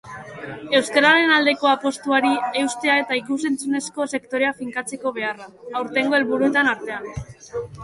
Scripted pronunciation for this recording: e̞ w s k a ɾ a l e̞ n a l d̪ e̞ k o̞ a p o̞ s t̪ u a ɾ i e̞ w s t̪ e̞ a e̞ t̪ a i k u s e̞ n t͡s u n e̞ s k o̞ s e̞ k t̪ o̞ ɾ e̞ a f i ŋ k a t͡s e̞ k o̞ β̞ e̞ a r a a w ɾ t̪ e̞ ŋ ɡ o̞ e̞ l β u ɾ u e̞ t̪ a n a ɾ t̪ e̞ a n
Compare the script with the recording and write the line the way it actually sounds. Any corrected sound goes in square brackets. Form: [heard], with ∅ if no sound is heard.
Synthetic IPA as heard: e̞ w s k a ɾ a [ɾ] e̞ n a l d̪ e̞ k o̞ a p o̞ s t̪ u a ɾ i e̞ w s t̪ e̞ a e̞ t̪ a i k u s e̞ n t͡s u n e̞ s k o̞ s e̞ k t̪ o̞ ɾ e̞ a f i ŋ k a t͡s e̞ k o̞ β̞ e̞ a r a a w ɾ t̪ e̞ ŋ ɡ o̞ e̞ l β u ɾ u e̞ t̪ a n a ɾ t̪ e̞ a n